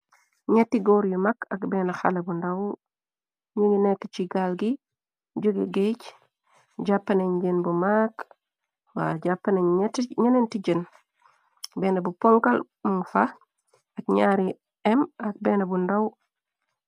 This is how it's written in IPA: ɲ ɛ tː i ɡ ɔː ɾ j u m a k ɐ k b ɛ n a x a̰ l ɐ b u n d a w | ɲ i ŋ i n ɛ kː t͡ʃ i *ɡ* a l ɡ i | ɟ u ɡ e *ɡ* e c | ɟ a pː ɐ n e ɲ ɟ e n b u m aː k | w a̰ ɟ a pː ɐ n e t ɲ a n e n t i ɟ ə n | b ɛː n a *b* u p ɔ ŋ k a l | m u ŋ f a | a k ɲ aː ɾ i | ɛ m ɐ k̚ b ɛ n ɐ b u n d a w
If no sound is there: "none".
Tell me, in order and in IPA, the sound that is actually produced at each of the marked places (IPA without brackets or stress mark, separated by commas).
ɡ, ɡ, b